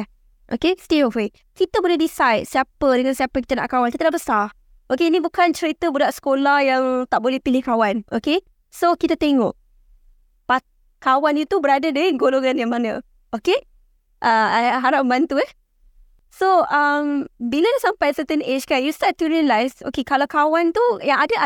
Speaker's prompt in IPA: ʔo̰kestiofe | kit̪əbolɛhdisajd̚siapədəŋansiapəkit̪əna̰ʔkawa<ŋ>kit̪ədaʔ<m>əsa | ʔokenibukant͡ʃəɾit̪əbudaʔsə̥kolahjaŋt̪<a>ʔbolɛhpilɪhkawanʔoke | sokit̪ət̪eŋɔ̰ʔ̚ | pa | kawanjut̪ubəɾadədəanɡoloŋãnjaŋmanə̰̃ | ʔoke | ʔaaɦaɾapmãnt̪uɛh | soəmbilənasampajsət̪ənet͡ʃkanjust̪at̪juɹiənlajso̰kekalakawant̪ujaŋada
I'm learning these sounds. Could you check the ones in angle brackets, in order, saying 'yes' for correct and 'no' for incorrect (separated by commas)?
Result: no, no, yes